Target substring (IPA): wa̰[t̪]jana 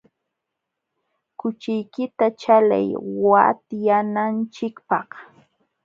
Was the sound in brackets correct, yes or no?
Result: yes